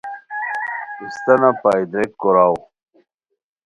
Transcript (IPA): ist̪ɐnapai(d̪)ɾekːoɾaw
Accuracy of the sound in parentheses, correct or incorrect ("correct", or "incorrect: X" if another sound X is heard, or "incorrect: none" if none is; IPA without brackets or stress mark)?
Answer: correct